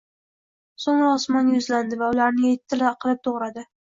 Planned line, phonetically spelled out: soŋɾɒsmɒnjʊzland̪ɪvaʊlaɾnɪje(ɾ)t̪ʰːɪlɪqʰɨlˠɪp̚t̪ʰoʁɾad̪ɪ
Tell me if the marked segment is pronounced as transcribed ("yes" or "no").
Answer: no